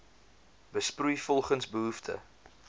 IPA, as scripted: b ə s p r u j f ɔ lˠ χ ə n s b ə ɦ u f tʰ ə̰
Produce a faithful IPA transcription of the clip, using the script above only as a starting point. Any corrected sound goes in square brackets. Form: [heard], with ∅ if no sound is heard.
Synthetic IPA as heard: b ə s p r u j f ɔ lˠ χ ə n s b ə ɦ u f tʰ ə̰